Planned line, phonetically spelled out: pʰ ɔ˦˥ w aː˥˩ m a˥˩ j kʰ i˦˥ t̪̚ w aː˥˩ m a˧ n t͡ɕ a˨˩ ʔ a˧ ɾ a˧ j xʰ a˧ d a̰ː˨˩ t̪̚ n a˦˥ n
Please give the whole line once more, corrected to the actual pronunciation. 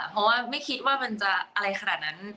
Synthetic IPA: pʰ ɔ˦˥ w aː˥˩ m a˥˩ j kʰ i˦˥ t̪̚ w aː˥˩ m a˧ n t͡ɕ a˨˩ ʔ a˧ ɾ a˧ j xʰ a˧ n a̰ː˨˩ t̪̚ n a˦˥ n